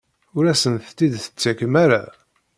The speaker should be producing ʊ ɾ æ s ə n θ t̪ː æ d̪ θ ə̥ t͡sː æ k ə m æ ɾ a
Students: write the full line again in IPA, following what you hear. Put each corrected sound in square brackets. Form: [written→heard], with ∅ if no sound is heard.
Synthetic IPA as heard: ʊ ɾ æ s ə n θ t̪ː [æ→i] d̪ θ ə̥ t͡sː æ k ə m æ ɾ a